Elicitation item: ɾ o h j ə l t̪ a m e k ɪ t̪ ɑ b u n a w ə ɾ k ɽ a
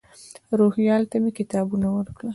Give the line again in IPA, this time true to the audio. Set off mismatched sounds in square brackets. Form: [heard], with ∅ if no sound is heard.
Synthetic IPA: ɾ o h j [ɑ] l t̪ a m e k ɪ t̪ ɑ b u n a w ə ɾ k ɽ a